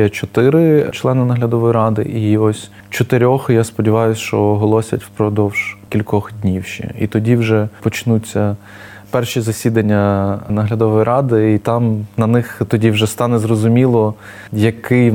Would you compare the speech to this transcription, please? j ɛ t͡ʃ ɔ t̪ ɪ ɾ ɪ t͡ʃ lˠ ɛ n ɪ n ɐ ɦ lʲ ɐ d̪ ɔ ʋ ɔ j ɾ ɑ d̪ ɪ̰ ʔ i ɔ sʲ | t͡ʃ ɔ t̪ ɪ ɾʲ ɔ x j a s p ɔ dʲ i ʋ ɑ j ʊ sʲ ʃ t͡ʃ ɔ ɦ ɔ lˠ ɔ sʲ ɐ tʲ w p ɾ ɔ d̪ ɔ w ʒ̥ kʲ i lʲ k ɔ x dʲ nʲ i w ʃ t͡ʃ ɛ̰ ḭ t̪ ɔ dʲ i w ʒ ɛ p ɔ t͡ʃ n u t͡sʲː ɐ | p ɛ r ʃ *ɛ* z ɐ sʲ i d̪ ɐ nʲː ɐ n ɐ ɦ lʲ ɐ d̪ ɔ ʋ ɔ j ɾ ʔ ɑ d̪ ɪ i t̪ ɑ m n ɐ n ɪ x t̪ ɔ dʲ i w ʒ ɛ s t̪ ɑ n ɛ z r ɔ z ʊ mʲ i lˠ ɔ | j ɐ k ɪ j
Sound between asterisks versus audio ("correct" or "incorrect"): incorrect